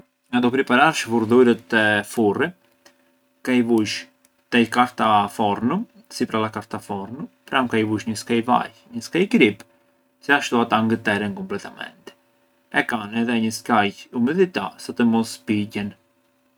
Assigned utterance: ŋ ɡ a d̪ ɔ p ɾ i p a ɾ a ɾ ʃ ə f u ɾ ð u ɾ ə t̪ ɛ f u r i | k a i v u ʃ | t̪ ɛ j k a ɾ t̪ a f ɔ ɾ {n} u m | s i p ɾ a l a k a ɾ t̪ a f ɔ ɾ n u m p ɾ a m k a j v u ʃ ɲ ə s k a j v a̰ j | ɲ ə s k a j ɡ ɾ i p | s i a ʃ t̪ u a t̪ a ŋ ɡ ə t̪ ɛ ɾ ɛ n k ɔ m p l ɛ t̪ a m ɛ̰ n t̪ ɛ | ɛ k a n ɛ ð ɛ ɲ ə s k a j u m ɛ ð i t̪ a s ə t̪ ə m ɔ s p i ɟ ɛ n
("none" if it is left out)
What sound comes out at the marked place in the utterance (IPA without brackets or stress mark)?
n